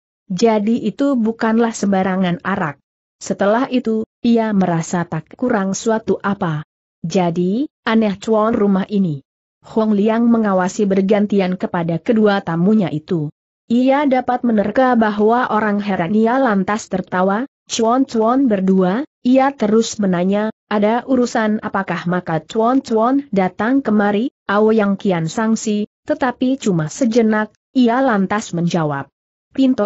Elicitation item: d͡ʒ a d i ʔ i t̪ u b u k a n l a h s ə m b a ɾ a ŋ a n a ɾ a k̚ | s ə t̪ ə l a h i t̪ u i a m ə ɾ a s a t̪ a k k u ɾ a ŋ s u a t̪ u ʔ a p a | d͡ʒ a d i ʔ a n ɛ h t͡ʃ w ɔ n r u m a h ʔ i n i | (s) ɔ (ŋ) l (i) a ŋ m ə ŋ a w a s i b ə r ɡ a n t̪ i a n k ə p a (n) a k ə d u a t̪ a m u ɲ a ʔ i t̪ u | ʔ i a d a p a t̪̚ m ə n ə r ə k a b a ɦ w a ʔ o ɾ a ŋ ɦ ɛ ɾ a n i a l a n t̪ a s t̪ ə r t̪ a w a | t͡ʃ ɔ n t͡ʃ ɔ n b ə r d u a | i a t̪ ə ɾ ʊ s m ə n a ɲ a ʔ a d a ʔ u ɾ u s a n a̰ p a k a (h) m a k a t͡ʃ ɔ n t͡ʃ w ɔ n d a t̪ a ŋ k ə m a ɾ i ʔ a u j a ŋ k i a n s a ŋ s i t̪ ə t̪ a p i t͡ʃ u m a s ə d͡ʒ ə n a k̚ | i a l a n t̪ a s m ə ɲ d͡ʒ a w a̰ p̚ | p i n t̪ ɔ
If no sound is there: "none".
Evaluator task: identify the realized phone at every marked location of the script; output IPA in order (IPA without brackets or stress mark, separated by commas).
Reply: h, ŋ, i, d, h